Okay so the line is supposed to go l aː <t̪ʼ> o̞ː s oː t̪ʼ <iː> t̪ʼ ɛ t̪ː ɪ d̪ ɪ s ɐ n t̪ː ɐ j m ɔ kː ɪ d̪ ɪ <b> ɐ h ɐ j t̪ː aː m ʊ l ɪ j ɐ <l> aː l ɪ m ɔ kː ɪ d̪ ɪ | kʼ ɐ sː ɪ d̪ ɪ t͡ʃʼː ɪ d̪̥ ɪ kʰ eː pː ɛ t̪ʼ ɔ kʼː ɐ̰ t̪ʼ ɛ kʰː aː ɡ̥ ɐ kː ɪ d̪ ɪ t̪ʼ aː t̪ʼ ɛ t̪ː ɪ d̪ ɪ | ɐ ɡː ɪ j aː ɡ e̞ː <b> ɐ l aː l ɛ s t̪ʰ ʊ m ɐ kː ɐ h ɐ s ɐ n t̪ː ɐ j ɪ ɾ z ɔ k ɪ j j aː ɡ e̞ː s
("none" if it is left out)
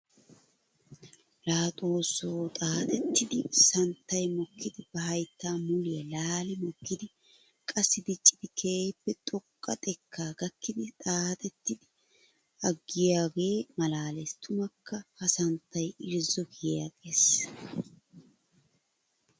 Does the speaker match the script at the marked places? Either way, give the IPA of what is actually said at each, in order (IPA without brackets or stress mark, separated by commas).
t̪ʼ, aː, b, l, m